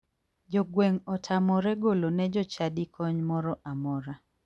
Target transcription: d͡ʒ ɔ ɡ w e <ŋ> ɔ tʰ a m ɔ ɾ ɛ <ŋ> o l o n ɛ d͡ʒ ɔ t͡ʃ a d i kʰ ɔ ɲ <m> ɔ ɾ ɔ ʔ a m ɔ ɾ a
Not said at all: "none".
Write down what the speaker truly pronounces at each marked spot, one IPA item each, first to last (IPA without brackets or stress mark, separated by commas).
ŋ, ɡ, m